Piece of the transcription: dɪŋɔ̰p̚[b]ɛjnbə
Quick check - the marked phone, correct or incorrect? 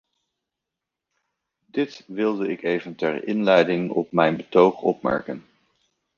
incorrect: m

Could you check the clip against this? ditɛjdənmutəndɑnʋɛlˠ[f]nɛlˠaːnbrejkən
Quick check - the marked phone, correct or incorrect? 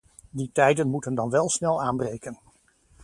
incorrect: s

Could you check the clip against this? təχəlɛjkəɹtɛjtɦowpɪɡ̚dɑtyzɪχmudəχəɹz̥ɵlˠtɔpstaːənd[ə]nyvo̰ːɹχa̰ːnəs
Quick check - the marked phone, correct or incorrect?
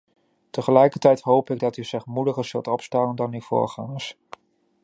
incorrect: ɑ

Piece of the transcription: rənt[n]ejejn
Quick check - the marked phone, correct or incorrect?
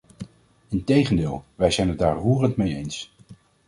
incorrect: m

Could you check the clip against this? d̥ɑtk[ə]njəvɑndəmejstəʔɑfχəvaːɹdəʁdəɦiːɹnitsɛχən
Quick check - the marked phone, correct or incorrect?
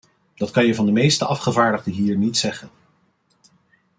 incorrect: ɑ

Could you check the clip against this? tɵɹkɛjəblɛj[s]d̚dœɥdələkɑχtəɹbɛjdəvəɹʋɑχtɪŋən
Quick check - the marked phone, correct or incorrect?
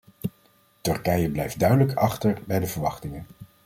incorrect: f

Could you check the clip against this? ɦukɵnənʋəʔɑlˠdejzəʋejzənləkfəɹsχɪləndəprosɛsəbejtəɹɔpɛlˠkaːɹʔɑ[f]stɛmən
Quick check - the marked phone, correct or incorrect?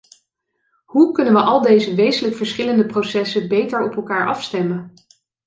correct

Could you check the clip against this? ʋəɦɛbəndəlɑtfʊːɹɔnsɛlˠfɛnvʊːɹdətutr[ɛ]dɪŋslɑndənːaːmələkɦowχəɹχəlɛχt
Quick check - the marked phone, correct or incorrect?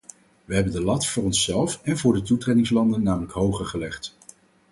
incorrect: e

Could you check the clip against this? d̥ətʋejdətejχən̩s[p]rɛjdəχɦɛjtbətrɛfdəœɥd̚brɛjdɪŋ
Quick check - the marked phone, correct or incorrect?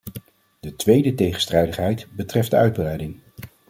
incorrect: t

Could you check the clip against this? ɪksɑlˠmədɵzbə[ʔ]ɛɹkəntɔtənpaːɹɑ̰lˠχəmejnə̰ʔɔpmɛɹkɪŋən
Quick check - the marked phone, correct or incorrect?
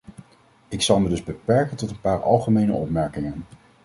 incorrect: p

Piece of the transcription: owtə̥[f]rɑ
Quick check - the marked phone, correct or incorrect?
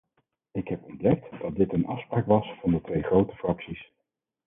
correct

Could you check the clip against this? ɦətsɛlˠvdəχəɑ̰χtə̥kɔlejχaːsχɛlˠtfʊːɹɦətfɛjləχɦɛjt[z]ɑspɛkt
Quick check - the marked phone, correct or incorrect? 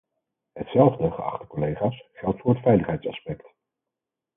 incorrect: s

